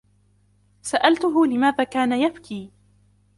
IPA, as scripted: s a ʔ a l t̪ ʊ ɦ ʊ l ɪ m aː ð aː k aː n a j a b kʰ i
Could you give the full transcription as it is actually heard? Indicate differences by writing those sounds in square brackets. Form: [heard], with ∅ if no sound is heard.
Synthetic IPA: s a ʔ a l t̪ ʊ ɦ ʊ l ɪ m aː ð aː k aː n a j a b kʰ [iː]